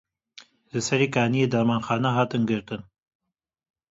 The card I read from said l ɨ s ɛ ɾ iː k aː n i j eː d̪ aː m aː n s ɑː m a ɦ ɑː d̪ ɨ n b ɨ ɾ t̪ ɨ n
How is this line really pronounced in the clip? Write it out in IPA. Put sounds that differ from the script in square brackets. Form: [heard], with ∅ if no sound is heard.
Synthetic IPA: l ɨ s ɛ ɾ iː k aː n i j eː d̪ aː m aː n [x] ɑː [n] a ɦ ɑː [t̪] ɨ n [ɡ] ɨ ɾ t̪ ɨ n